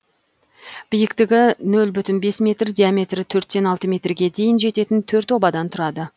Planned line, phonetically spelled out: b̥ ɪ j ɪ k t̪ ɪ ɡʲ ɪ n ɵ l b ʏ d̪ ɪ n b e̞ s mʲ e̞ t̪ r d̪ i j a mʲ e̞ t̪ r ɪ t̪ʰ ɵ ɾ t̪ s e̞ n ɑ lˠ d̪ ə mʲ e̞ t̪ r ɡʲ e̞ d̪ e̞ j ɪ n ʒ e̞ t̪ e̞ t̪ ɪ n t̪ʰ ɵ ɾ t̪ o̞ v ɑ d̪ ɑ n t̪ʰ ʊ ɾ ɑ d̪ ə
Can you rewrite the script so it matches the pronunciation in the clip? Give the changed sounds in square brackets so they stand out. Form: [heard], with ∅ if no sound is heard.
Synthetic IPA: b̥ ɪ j ɪ k t̪ ɪ ɡʲ ɪ n ɵ l b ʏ [t̪] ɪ n b e̞ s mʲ e̞ t̪ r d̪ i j a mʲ e̞ t̪ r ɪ t̪ʰ ɵ ɾ t̪ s e̞ n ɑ lˠ [t̪] ə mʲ e̞ t̪ r ɡʲ e̞ d̪ e̞ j ɪ n ʒ e̞ t̪ e̞ t̪ ɪ n t̪ʰ ɵ ɾ t̪ o̞ [b] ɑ d̪ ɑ n t̪ʰ ʊ ɾ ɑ d̪ ə